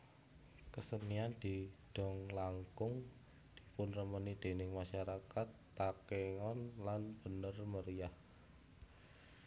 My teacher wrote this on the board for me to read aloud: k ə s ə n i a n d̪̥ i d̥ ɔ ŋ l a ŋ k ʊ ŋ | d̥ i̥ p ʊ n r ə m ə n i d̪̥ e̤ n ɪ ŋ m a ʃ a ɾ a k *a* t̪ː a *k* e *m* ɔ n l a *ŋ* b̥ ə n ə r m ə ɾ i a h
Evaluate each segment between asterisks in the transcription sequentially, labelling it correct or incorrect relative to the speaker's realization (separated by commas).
correct, correct, incorrect, incorrect